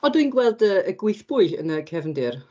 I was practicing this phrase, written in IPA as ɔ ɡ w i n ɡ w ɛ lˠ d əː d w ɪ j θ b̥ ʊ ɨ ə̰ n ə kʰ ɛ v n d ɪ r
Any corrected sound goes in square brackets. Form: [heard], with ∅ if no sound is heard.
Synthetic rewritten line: ɔ [d] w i n ɡ w ɛ lˠ d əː [ɡ] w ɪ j θ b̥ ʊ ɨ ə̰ n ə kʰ ɛ v n d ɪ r